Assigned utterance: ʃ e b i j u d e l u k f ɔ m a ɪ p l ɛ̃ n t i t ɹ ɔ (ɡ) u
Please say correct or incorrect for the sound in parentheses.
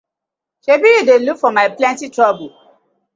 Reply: incorrect